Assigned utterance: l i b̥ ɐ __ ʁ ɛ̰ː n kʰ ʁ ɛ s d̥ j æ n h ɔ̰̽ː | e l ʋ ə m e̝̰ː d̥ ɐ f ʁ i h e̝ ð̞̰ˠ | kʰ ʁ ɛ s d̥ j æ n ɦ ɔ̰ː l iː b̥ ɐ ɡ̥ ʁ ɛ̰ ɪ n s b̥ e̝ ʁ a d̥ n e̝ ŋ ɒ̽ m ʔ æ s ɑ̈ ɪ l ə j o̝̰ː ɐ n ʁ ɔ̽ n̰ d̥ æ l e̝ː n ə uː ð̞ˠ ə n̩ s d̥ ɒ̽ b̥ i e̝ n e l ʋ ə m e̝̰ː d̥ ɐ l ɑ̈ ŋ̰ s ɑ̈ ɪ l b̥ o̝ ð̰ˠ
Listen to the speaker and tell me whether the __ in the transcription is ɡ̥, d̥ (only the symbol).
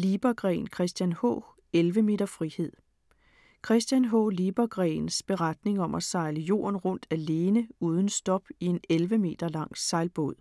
ɡ̥